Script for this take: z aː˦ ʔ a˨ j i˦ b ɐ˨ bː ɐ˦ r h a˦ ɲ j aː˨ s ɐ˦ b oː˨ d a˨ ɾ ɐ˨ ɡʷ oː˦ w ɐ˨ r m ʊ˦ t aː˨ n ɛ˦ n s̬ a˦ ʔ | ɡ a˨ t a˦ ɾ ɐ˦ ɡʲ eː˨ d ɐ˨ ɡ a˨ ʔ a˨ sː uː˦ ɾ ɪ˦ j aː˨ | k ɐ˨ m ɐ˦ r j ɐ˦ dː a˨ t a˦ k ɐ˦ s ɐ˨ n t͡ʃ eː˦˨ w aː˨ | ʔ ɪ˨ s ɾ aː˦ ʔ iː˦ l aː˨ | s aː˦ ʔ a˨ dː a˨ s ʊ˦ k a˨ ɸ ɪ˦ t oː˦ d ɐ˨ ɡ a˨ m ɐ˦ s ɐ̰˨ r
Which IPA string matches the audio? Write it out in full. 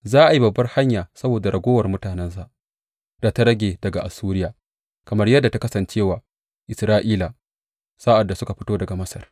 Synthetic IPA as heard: z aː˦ ʔ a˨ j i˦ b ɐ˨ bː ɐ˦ r h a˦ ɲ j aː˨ s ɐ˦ b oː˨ d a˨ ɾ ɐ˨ ɡʷ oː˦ w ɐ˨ r m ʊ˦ t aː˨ n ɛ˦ n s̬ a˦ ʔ | d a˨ t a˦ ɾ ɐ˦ ɡʲ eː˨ d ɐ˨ ɡ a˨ ʔ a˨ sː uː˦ ɾ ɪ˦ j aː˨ | k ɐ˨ m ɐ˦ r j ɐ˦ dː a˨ t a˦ k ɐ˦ s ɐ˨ n t͡ʃ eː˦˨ w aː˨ | ʔ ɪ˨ s ɾ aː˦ ʔ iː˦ l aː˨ | s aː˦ ʔ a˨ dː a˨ s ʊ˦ k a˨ ɸ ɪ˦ t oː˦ d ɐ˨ ɡ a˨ m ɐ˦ s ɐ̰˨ r